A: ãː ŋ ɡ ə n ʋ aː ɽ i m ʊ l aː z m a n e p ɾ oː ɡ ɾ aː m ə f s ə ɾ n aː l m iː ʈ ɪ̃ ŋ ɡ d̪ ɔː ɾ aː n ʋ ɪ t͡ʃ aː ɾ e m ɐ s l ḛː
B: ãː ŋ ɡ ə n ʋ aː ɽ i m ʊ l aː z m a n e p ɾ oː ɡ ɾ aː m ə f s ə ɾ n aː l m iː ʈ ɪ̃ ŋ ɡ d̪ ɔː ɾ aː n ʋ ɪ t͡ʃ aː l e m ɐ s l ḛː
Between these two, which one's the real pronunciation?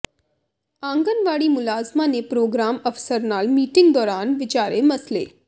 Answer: A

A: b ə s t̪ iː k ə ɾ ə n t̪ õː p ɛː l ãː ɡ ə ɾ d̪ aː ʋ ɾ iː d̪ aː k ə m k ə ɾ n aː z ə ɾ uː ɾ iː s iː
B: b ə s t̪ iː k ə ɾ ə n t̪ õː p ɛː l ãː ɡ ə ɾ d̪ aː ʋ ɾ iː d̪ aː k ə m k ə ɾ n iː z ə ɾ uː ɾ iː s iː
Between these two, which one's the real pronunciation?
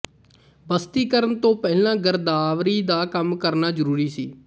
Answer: A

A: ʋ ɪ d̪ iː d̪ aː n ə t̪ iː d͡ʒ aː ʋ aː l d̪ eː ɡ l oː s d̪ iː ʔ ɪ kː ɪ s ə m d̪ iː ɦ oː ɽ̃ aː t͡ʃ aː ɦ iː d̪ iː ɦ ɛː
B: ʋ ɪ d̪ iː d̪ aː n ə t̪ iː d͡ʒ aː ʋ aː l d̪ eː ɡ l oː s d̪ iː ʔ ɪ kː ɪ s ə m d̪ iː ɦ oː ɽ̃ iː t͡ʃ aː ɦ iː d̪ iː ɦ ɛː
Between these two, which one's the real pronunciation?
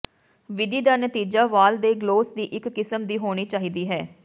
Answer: B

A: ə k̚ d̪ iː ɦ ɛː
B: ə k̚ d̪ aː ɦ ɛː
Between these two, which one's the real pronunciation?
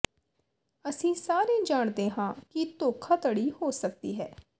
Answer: A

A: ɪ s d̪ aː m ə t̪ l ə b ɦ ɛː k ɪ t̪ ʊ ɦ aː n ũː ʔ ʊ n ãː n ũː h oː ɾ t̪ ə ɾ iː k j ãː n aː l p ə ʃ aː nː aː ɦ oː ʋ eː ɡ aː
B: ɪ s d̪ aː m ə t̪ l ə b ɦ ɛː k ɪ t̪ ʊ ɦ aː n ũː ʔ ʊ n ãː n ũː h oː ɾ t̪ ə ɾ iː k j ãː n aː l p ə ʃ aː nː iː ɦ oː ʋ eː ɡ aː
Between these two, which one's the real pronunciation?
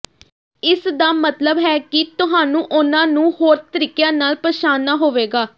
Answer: A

